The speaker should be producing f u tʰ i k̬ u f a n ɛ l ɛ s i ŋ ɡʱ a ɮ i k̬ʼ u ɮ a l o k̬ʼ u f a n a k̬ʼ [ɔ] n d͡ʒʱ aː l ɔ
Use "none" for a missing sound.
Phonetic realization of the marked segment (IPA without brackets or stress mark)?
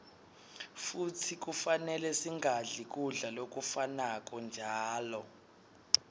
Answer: ɔ